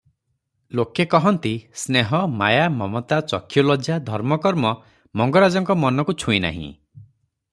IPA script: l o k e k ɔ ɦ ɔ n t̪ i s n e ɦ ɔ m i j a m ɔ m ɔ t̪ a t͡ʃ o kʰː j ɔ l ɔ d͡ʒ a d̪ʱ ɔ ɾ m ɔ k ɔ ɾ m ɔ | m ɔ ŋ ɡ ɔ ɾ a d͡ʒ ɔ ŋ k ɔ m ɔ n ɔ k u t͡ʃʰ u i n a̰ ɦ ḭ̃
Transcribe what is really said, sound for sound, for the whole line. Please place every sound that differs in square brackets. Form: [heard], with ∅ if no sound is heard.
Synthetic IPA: l o k e k ɔ ɦ ɔ n t̪ i s n e ɦ ɔ m [a] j a m ɔ m ɔ t̪ a t͡ʃ [ɔ] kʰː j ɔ l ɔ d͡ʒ a d̪ʱ ɔ ɾ m ɔ k ɔ ɾ m ɔ | m ɔ ŋ ɡ ɔ ɾ a d͡ʒ ɔ ŋ k ɔ m ɔ n ɔ k u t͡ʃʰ u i n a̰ ɦ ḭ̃